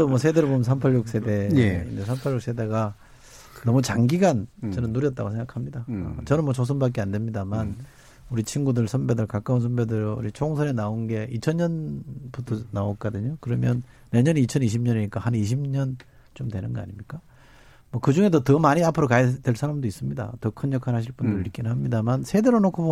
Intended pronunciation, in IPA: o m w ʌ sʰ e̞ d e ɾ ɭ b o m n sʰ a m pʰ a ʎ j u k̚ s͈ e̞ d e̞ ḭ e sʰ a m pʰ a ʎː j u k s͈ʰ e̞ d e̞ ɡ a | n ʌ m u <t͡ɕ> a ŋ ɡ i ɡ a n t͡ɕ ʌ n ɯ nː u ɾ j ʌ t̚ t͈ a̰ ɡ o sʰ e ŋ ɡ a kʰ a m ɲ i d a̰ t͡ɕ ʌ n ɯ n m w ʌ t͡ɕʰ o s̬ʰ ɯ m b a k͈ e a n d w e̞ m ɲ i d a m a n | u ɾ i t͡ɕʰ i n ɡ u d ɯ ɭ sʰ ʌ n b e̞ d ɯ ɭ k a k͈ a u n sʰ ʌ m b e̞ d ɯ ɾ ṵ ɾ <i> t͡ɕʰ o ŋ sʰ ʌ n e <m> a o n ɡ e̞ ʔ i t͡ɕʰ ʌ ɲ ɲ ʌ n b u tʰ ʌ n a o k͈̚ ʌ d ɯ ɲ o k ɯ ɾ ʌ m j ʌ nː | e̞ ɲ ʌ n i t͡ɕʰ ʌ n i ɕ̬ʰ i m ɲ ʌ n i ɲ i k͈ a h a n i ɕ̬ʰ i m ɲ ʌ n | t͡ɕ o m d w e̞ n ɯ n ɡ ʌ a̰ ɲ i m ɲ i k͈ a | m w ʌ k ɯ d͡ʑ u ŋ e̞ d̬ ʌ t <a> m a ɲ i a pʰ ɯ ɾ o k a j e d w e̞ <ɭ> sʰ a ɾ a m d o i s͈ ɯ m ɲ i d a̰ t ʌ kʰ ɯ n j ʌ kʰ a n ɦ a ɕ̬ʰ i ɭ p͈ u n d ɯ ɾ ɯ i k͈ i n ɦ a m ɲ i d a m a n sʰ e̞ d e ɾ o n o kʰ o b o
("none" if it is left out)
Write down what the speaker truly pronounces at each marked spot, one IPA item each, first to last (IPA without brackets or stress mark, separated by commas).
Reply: t͡ɕ, i, n, ʌ, ɭ